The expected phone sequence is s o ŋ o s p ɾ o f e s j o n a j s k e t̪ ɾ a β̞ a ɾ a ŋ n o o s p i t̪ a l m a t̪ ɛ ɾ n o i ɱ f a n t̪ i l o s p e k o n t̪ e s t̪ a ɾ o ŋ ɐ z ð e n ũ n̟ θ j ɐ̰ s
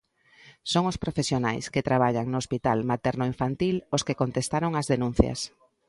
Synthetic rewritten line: s o ŋ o s p ɾ o f e s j o n a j s k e t̪ ɾ a β̞ a ʎ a ŋ n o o s p i t̪ a l m a t̪ ɛ ɾ n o i ɱ f a n t̪ i l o s k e k o n t̪ e s t̪ a ɾ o ŋ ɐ z ð e n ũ n̟ θ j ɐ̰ s